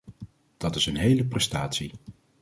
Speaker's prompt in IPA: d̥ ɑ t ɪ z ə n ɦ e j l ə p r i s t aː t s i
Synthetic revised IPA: d̥ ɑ t ɪ s ə n ɦ e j l ə p r ɛ s t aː t s i